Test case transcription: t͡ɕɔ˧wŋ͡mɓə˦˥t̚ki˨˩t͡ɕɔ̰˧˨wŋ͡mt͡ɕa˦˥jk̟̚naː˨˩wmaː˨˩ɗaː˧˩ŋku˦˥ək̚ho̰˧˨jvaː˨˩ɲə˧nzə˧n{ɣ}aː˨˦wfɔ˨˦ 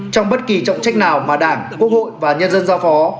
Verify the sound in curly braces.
incorrect: z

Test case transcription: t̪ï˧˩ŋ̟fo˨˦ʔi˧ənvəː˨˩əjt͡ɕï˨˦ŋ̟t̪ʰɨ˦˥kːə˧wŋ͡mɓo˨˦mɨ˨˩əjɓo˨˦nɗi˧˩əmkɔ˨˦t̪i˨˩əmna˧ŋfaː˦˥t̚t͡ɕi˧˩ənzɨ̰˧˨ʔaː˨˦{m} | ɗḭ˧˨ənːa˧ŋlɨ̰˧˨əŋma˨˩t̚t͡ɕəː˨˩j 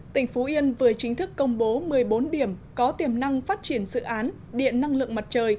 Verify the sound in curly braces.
incorrect: n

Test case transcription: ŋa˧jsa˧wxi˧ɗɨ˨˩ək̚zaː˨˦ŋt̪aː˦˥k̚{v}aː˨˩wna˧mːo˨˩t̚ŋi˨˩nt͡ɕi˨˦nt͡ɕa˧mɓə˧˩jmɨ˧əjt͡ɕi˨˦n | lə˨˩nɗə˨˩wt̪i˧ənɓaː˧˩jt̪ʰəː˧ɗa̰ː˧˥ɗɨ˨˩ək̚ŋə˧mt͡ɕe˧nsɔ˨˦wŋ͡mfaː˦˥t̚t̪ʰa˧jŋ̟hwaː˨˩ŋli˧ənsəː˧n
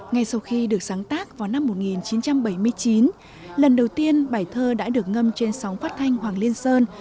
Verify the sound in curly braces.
correct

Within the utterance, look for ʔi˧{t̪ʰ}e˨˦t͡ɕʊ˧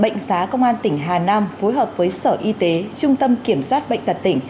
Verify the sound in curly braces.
incorrect: t̪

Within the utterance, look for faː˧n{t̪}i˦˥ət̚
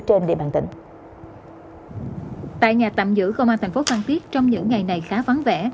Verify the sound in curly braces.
correct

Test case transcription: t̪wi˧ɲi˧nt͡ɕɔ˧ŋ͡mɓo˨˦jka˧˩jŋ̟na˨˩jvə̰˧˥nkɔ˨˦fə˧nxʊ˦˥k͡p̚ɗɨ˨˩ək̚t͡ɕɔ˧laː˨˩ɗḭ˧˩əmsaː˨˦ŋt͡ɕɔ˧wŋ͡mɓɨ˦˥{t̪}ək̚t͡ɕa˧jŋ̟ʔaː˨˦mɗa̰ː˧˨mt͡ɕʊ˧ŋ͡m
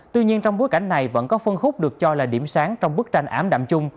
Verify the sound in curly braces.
incorrect: none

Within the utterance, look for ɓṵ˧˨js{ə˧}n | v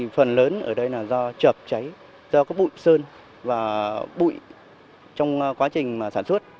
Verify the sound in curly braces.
incorrect: əː˧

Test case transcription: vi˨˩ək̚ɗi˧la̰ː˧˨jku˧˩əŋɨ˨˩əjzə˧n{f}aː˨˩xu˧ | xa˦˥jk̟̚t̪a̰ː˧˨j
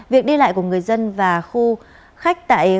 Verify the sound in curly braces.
incorrect: v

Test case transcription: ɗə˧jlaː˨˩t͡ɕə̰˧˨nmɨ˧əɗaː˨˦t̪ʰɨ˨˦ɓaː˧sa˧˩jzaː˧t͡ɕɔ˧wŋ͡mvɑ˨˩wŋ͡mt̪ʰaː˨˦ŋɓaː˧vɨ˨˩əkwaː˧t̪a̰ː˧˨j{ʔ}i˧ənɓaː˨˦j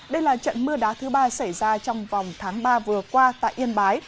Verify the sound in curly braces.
correct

